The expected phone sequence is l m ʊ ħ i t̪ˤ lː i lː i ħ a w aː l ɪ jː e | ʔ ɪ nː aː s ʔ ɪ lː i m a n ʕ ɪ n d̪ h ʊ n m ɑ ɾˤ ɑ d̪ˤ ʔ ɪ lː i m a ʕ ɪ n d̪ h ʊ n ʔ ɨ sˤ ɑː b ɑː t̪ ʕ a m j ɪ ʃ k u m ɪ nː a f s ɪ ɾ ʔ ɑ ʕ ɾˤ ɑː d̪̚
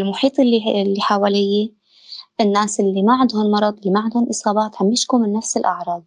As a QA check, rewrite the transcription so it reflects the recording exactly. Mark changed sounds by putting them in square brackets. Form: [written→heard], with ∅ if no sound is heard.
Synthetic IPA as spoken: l m ʊ ħ [i→iː] t̪ˤ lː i lː i ħ a w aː l ɪ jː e | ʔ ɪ nː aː s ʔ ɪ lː i m a [n→∅] ʕ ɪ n d̪ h ʊ n m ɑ ɾˤ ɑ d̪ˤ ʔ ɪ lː i m a ʕ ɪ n d̪ h ʊ n ʔ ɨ sˤ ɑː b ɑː t̪ ʕ a m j ɪ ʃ k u m ɪ nː a f s ɪ [ɾ→l] ʔ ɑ ʕ ɾˤ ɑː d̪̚